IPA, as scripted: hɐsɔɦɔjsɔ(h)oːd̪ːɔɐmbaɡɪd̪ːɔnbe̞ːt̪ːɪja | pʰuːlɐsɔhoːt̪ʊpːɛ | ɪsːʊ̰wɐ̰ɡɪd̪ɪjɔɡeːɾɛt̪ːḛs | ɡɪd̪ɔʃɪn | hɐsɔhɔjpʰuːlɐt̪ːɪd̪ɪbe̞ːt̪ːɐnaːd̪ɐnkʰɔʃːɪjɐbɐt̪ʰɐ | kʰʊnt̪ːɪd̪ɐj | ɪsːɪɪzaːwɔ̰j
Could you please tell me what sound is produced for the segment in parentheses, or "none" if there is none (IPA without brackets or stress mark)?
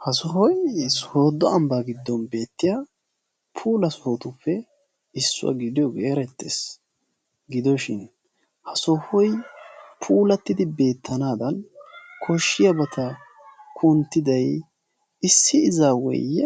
h